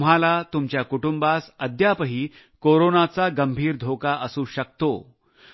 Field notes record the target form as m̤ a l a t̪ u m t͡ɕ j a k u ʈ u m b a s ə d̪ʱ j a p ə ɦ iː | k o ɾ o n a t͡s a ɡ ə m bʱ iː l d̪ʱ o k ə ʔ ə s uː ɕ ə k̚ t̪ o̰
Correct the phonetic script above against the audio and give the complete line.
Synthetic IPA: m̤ a l a t̪ u m t͡ɕ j a k u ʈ u m b a s ə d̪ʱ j a p ə ɦ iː | k o ɾ o n a t͡s a ɡ ə m bʱ iː ɾ d̪ʱ o k a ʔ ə s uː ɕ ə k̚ t̪ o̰

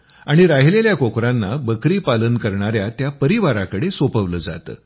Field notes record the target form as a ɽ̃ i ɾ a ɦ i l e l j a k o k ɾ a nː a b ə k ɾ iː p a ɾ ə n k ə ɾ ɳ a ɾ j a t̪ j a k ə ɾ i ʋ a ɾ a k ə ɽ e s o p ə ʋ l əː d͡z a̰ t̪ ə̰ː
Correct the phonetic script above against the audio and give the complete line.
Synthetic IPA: a ɽ̃ i ɾ a ɦ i l e l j a k o k ɾ a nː a b ə k ɾ iː p a l ə n k ə ɾ ɳ a ɾ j a t̪ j a p ə ɾ i ʋ a ɾ a k ə ɽ e s o p ə ʋ l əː d͡z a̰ t̪ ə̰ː

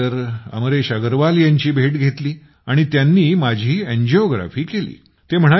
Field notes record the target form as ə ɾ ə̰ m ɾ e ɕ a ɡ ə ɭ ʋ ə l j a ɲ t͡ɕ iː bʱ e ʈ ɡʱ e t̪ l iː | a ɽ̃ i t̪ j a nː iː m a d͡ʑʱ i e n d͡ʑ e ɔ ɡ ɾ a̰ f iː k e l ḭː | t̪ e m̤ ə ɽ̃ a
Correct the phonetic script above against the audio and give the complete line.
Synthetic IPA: ə ɾ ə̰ m ɾ e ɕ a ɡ ə ɾ ʋ a l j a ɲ t͡ɕ iː bʱ e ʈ ɡʱ e t̪ l iː | a ɽ̃ i t̪ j a nː iː m a d͡ʑʱ iː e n d͡ʑ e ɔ ɡ ɾ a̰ f iː k e l ḭː | t̪ e m̤ ə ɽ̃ a

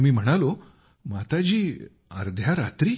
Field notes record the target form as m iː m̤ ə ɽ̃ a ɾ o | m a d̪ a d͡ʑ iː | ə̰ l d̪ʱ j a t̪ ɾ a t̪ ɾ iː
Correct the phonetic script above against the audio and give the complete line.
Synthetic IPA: m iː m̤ ə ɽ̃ a l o | m a t̪ a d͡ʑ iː | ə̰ ɾ d̪ʱ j a ɾ a t̪ ɾ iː

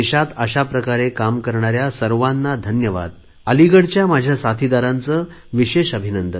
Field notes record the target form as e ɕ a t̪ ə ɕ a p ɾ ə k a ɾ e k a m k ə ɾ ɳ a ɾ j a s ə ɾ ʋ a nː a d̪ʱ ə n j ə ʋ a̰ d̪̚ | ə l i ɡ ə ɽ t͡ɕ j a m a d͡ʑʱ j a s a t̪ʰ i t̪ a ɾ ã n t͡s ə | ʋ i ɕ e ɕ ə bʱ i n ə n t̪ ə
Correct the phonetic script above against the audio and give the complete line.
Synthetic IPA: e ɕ a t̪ ə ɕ a p ɾ ə k a ɾ e k a m k ə ɾ ɳ a ɾ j a s ə ɾ ʋ a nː a d̪ʱ ə n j ə ʋ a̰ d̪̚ | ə l i ɡ ə ɽ t͡ɕ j a m a d͡ʑʱ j a s a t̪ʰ i d̪ a ɾ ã n t͡s ə | ʋ i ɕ e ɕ ə bʱ i n ə n d̪ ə

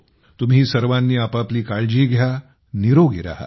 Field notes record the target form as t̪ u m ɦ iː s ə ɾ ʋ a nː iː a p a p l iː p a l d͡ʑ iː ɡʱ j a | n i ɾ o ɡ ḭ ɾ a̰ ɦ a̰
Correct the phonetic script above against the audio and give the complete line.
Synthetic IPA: t̪ u m ɦ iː s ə ɾ ʋ a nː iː a p a p l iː k a ɭ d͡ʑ iː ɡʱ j a | n i ɾ o ɡ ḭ ɾ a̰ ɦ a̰

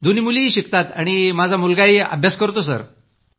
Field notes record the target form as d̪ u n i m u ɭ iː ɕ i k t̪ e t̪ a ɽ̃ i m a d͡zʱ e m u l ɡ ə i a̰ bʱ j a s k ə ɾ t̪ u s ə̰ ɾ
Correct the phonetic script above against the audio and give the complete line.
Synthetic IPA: d̪ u n i m u l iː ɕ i k t̪ a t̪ a ɽ̃ i m a d͡zʱ a m u l ɡ a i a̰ bʱ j a s k ə ɾ t̪ o s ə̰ ɾ

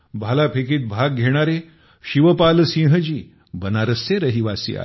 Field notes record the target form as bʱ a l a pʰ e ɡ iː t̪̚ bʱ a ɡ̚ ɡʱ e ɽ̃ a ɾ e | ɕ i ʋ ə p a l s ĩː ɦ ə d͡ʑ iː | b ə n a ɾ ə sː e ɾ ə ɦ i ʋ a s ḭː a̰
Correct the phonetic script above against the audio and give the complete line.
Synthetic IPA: bʱ a l a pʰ e k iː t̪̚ bʱ a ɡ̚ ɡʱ e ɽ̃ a ɾ e | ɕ i ʋ ə p a l s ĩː ɦ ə d͡ʑ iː | b ə n a ɾ ə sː e ɾ ə ɦ i ʋ a s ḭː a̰

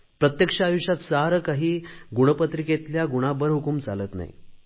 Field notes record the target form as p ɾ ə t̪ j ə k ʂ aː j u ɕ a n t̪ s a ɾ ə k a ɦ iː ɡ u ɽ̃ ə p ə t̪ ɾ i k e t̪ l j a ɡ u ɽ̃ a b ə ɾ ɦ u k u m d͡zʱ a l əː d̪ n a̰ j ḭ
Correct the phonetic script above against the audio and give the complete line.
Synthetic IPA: p ɾ ə t̪ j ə k ʂ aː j u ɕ a t̪ s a ɾ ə k a ɦ iː ɡ u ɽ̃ ə p ə t̪ ɾ i k e t̪ l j a ɡ u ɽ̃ a b ə ɾ ɦ u k u m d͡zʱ a l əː t̪ n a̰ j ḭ

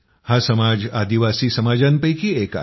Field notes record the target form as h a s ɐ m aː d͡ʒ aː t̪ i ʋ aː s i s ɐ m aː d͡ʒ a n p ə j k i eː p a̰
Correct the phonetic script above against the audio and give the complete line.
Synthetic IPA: h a s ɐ m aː d͡ʒ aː d̪ i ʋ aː s i s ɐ m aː d͡ʒ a n p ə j k i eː k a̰

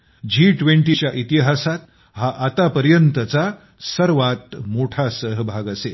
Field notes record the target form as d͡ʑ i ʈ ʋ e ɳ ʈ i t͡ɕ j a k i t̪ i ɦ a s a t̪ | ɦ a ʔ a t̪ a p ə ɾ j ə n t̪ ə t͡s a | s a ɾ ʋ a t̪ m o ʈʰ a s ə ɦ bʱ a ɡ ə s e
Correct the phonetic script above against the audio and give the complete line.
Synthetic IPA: d͡ʑ i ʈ ʋ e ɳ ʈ i t͡ɕ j a ʔ i t̪ i ɦ a s a t̪ | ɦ a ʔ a t̪ a p ə ɾ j ə n t̪ ə t͡s a | s ə ɾ ʋ a t̪ m o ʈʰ a s ə ɦ bʱ a ɡ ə s e

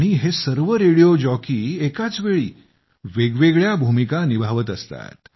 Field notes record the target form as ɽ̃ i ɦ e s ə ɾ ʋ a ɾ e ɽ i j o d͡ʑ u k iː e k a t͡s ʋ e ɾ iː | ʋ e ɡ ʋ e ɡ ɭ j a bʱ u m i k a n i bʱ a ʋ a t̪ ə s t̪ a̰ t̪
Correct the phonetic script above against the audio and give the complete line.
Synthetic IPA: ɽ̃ i ɦ e s ə ɾ ʋ ə ɾ e ɽ i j o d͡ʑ ɔ k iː e k a t͡s ʋ e ɭ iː | ʋ e ɡ ʋ e ɡ ɭ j a bʱ u m i k a n i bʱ a ʋ ə t̪ ə s t̪ a̰ t̪

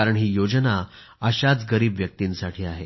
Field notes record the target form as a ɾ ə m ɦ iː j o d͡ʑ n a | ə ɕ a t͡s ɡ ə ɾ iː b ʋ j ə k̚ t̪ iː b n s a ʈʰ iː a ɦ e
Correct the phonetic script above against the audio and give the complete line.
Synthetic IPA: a ɾ ə ɳ ɦ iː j o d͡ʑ n a | ə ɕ a t͡s ɡ ə ɾ iː b ʋ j ə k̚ t̪ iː n s a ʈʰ iː a ɦ e

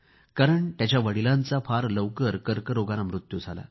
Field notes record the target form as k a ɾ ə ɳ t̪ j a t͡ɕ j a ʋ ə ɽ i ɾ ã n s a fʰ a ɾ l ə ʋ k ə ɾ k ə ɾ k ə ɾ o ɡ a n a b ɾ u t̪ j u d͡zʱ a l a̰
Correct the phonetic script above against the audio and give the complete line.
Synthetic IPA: k a ɾ ə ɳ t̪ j a t͡ɕ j a ʋ ə ɽ i l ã n t͡s a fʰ a ɾ l ə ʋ k ə ɾ k ə ɾ k ə ɾ o ɡ a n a m ɾ u t̪ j u d͡zʱ a l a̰

